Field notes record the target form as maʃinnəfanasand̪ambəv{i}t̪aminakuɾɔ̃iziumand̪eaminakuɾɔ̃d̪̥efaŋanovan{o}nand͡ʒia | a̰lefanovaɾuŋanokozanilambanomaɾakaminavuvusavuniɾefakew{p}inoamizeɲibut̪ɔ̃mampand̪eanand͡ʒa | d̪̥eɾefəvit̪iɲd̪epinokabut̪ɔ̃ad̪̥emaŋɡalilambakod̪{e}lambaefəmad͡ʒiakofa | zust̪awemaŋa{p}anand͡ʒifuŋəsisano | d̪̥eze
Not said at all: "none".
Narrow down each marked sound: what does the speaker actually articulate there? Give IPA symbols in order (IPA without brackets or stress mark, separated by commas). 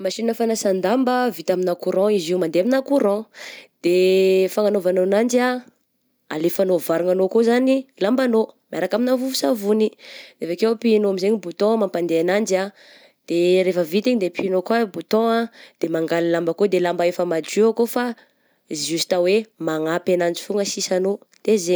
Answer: i, o, p, e, p